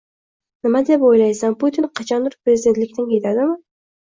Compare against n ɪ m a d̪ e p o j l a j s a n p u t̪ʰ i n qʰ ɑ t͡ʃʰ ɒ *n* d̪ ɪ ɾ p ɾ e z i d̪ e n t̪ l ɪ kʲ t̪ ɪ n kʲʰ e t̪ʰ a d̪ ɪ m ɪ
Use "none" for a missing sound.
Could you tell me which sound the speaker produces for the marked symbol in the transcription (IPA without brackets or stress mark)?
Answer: n